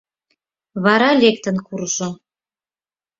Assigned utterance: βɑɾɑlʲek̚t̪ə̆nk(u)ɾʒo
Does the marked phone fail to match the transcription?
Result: no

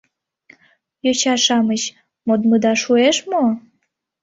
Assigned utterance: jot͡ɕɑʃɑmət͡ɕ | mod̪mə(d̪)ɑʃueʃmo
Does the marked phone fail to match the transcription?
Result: no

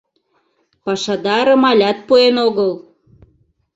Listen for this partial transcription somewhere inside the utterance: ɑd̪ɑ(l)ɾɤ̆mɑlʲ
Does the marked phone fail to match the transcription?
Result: yes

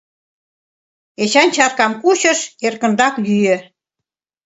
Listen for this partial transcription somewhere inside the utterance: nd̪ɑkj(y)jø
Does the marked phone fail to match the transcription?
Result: no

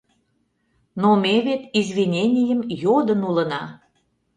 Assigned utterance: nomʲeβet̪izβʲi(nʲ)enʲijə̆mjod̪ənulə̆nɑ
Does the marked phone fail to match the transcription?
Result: no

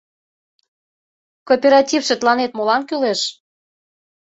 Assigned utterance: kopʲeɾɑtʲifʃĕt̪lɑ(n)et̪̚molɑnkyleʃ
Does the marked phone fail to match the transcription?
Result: no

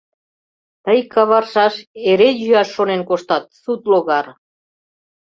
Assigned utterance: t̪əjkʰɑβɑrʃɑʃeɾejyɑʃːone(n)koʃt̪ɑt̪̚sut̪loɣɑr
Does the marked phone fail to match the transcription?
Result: no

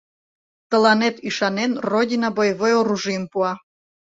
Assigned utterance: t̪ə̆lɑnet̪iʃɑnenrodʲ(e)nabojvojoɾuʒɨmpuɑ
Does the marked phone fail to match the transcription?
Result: yes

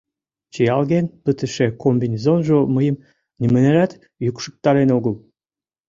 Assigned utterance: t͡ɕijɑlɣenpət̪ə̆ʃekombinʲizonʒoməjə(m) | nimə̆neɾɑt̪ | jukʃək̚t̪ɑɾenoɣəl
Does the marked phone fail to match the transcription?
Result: no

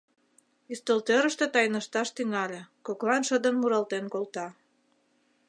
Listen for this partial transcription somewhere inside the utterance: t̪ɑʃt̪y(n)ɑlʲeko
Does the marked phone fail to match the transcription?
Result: yes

